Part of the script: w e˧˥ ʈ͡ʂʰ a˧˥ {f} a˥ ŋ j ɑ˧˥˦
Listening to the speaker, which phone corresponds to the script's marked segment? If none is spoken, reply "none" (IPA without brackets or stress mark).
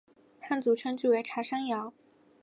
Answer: ʂ